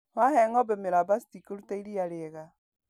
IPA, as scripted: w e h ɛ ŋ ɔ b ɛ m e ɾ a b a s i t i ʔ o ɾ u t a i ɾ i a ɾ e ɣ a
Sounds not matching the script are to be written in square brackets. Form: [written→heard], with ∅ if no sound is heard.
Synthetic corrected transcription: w [e→a] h ɛ ŋ ɔ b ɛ m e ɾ a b a s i t i [ʔ→k] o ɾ u t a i ɾ i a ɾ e ɣ a